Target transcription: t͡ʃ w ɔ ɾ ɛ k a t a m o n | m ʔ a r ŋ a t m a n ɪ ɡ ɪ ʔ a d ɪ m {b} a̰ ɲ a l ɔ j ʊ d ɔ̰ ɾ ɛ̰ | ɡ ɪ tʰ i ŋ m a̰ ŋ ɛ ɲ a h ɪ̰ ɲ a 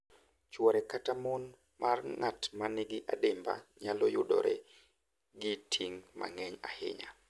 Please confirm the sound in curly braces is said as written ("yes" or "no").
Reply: yes